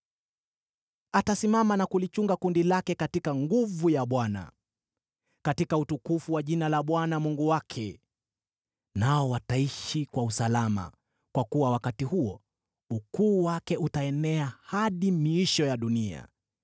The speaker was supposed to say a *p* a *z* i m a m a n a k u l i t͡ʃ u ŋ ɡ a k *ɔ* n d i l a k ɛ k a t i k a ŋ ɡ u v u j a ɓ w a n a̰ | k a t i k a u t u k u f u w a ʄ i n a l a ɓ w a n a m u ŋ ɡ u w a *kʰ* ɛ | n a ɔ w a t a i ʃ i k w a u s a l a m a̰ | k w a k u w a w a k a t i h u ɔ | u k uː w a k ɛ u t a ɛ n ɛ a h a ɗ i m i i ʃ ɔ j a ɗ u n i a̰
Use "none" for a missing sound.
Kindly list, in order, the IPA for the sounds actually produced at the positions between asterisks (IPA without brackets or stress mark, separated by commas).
t, s, u, kʰ